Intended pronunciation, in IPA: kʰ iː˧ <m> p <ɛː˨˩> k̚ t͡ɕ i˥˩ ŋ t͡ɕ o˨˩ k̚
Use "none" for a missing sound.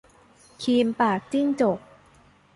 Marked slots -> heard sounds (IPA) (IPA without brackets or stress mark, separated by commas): m, aː˨˩